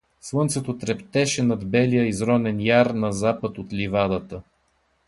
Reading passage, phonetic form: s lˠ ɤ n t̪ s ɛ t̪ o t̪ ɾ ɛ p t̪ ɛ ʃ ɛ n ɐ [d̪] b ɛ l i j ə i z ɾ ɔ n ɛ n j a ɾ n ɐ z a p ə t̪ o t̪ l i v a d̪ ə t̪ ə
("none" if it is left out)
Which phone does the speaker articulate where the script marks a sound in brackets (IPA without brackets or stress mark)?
d̪